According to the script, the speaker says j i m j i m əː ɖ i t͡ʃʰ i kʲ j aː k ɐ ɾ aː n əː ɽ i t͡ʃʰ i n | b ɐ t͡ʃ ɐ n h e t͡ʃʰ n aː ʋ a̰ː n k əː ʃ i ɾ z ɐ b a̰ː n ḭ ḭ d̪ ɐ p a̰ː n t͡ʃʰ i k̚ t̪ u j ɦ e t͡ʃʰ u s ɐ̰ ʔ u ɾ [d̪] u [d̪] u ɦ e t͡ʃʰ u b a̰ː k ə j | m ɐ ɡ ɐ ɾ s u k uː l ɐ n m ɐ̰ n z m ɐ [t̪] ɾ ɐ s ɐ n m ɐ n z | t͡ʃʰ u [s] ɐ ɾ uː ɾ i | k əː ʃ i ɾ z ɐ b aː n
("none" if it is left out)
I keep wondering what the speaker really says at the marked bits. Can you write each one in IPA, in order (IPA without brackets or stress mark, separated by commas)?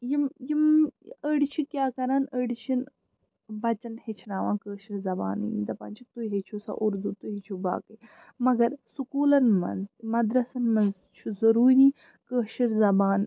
d̪, t̪, d̪, z